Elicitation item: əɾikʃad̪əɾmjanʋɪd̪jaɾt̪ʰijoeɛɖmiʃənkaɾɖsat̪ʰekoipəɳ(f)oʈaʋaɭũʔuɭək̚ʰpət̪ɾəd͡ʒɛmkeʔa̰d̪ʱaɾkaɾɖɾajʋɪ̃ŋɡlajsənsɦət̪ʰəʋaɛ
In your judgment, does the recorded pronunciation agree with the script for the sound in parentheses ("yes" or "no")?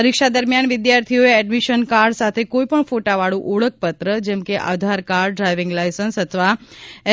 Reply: yes